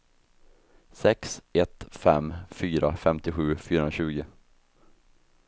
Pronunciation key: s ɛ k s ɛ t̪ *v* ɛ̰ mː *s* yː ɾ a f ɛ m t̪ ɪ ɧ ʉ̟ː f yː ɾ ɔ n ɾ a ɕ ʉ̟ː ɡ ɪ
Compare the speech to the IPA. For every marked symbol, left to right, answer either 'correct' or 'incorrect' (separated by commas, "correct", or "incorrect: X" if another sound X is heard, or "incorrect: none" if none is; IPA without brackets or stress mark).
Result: incorrect: f, incorrect: f